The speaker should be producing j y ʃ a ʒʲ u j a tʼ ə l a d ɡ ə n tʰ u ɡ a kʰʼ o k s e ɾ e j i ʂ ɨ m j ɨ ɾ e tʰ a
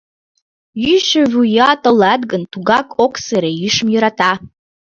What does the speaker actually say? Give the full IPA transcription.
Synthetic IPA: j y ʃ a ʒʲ u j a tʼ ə l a d ɡ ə n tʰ u ɡ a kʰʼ o k s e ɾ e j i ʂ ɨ m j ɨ ɾ a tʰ a